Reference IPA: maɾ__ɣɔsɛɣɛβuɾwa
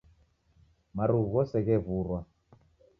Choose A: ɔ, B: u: B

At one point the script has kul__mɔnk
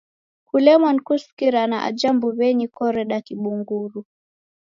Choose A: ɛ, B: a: A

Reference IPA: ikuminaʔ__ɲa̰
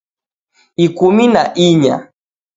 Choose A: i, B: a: A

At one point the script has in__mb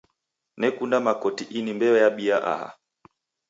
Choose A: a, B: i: B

